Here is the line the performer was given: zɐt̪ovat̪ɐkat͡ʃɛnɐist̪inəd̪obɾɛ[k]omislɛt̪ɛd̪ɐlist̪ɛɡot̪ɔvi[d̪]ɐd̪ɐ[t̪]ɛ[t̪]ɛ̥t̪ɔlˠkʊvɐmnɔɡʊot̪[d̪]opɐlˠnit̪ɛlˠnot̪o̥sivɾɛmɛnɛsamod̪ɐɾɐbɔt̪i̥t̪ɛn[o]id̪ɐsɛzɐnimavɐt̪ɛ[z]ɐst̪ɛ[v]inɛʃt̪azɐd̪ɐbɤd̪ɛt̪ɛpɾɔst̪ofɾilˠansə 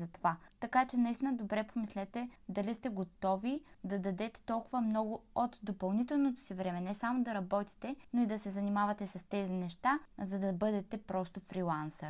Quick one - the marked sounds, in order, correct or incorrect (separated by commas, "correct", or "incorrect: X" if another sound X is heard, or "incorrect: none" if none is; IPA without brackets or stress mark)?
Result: incorrect: p, correct, incorrect: d̪, correct, correct, correct, incorrect: s, incorrect: z